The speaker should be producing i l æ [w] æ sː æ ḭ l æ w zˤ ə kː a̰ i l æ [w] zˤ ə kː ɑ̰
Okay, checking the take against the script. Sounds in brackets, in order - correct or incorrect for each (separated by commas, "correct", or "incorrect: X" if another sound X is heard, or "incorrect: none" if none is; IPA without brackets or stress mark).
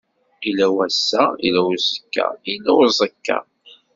correct, correct